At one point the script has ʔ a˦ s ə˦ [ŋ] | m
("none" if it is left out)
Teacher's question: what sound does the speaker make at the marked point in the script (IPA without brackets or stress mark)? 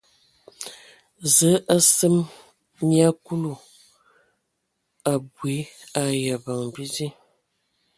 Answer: m